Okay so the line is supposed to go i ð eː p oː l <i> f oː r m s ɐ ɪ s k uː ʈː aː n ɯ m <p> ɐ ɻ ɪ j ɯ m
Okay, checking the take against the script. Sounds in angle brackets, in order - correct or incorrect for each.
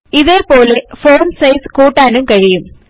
incorrect: e, incorrect: k

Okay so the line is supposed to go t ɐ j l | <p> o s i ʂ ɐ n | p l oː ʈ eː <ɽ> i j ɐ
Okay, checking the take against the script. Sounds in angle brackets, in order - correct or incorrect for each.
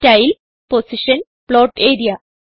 correct, incorrect: ɾ

